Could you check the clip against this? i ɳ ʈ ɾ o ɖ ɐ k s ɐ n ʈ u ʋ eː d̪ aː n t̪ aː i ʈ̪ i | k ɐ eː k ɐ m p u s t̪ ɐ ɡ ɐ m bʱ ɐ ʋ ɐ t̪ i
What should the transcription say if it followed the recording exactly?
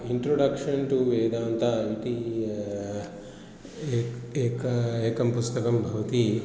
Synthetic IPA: i ɳ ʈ ɾ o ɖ ɐ k ʂ ɐ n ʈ u ʋ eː d̪ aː n t̪ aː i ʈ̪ i | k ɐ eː k ɐ m p u s t̪ ɐ k ɐ m bʱ ɐ ʋ ɐ t̪ i